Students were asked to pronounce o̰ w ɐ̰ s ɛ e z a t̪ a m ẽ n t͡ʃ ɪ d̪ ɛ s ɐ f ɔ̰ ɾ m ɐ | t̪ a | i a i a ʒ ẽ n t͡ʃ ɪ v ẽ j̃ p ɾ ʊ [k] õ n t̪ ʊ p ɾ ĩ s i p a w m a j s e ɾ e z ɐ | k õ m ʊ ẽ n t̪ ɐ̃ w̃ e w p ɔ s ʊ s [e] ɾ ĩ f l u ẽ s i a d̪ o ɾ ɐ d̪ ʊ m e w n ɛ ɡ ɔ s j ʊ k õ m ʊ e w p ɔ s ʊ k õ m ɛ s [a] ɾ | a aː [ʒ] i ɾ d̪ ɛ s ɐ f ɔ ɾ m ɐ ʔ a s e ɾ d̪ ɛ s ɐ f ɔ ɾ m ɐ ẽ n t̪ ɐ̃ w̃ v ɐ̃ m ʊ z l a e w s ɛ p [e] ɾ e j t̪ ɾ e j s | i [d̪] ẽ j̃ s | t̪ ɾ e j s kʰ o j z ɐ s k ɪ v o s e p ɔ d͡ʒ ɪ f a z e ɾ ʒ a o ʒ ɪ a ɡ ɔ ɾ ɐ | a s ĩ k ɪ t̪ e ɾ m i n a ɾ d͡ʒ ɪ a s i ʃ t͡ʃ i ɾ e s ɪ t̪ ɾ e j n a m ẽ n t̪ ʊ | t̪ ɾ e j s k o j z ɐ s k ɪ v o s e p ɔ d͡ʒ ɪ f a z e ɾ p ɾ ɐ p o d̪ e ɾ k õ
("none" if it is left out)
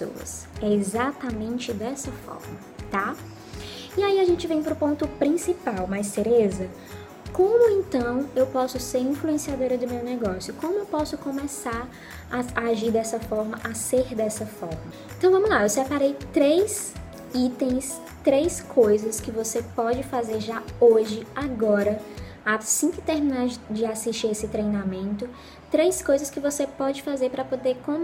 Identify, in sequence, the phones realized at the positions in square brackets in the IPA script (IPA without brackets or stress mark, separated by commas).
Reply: p, e, a, ʒ, a, t̪